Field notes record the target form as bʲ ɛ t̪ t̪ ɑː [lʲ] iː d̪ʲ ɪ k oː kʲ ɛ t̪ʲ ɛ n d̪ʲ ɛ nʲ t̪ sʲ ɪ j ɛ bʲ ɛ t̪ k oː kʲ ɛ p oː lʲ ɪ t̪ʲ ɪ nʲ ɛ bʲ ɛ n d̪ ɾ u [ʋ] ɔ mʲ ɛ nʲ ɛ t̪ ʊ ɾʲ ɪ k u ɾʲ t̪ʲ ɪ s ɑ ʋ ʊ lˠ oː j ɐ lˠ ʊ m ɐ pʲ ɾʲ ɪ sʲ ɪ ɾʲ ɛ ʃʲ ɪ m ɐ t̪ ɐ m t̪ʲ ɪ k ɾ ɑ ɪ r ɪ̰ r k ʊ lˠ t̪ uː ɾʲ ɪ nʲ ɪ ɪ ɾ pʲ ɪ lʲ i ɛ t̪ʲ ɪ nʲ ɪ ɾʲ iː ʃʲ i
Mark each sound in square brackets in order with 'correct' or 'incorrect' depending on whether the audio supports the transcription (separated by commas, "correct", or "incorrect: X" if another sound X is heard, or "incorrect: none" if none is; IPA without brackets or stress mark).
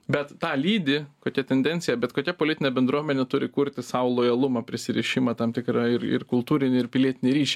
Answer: correct, incorrect: none